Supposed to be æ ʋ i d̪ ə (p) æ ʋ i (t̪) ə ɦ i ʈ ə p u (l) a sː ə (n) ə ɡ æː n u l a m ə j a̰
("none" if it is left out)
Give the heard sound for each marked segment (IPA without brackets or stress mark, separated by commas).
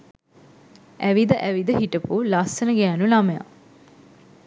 ʔ, d̪, l, n